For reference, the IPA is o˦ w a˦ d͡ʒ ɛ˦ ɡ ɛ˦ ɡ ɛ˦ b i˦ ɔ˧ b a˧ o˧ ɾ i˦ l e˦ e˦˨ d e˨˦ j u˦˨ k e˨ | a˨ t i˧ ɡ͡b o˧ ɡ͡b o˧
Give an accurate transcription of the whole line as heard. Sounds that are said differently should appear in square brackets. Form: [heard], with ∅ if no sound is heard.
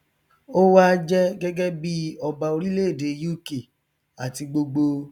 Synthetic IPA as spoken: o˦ w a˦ d͡ʒ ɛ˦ ɡ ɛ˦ ɡ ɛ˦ b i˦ ɔ˧ b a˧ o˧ ɾ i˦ l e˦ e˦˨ d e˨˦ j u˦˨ k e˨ | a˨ t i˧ ɡ͡b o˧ ɡ͡b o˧